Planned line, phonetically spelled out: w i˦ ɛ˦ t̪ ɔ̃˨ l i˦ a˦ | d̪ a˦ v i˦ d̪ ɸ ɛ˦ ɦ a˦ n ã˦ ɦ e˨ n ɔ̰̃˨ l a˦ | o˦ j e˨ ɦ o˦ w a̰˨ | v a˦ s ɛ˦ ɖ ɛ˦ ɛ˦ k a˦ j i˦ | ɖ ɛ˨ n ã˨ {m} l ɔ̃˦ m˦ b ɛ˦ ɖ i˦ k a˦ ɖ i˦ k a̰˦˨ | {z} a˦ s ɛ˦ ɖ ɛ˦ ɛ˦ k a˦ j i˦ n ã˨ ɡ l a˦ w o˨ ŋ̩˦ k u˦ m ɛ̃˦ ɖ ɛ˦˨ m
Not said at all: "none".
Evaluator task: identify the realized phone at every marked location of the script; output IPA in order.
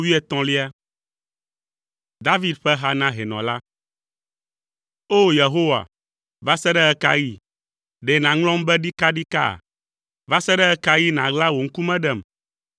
ŋ, v

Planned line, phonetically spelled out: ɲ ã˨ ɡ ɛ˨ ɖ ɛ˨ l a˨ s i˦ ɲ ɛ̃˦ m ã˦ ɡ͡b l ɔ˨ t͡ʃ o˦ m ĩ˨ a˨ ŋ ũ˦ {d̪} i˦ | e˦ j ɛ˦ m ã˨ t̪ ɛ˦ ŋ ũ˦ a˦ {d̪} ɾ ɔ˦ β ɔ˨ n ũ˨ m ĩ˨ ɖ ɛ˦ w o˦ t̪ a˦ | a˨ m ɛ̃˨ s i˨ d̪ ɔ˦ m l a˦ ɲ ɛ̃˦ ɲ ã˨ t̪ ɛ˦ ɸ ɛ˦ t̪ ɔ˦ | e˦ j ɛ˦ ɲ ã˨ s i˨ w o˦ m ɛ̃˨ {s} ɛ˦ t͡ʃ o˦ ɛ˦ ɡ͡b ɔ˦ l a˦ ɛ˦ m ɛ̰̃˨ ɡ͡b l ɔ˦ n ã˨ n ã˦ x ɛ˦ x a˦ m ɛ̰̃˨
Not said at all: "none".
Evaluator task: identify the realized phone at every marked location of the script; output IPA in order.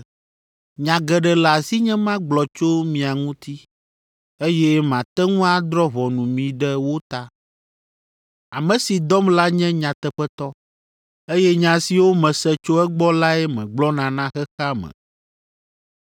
t̪, d̪, s

